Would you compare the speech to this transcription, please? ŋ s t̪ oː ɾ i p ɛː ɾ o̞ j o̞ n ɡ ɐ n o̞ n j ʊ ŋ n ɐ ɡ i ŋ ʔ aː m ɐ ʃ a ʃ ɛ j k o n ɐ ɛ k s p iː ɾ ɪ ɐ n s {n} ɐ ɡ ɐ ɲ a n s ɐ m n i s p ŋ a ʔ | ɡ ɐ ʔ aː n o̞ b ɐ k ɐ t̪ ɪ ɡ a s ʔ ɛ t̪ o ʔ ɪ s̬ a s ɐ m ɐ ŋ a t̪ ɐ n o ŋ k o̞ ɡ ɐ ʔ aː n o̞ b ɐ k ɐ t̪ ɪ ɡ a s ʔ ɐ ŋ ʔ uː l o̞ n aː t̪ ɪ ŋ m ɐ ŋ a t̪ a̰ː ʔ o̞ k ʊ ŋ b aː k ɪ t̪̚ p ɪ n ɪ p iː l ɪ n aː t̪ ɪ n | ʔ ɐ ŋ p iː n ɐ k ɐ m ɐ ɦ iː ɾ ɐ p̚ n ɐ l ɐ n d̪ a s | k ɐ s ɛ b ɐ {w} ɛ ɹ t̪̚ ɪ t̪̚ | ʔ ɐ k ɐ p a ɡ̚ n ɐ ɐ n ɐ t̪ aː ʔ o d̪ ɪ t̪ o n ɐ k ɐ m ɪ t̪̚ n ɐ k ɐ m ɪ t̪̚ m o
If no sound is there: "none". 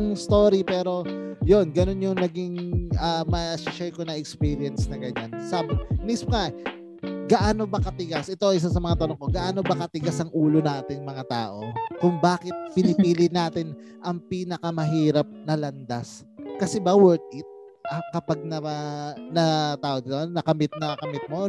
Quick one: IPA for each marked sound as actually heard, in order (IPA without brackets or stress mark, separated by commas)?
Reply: n, w